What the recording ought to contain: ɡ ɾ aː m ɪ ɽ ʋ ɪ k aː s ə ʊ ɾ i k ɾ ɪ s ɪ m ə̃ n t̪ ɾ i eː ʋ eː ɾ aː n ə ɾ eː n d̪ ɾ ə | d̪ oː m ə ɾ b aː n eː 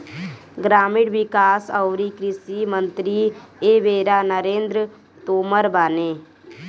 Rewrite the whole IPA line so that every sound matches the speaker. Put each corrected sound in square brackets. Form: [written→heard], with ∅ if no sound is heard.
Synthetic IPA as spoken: ɡ ɾ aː m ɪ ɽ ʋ ɪ k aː s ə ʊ ɾ i k ɾ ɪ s [ɪ→i] m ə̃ n t̪ ɾ i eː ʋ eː ɾ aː n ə ɾ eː n d̪ ɾ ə | [d̪→t̪] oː m ə ɾ b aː n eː